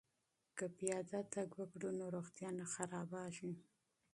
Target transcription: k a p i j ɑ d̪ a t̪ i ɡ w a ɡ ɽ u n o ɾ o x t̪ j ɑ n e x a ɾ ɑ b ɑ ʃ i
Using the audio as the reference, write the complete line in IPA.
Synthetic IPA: k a p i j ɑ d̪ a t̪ a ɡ w a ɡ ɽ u n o ɾ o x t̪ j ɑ n a x a ɾ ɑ b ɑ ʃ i